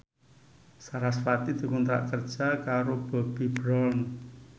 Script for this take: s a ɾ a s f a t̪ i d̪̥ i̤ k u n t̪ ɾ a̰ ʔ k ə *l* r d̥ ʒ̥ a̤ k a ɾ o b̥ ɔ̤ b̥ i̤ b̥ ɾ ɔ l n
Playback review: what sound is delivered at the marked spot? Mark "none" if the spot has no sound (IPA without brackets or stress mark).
none